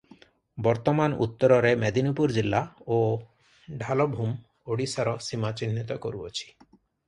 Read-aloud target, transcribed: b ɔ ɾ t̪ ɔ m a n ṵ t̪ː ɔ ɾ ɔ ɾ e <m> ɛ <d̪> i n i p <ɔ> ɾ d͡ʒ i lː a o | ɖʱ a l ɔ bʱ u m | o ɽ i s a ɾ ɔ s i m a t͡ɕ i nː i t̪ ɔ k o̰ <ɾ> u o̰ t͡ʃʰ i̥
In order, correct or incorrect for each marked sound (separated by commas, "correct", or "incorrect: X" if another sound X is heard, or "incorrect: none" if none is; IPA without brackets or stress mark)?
correct, correct, incorrect: u, correct